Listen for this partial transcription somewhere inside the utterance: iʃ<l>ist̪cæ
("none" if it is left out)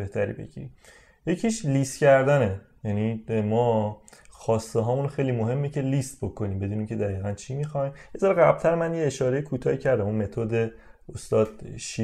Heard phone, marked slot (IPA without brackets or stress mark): l